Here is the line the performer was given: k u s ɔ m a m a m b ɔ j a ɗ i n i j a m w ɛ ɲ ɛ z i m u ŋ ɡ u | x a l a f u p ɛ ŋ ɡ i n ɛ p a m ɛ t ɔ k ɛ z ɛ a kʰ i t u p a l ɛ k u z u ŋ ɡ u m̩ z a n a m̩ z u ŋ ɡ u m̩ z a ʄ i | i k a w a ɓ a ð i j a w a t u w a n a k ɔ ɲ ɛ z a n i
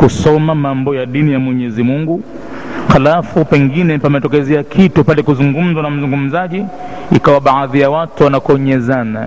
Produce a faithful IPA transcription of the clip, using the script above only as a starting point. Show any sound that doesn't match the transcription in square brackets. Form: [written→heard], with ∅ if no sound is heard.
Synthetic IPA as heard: k u s ɔ m a m a m b ɔ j a ɗ i n i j a m w ɛ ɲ ɛ z i m u ŋ ɡ u | x a l a f u p ɛ ŋ ɡ i n ɛ p a m ɛ t ɔ k ɛ z ɛ a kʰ i t u p a l ɛ k u z u ŋ ɡ u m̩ z a n a m̩ z u ŋ ɡ u m̩ z a ʄ i | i k a w a ɓ a ð i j a w a t u w a n a k ɔ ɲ ɛ z a n [i→a]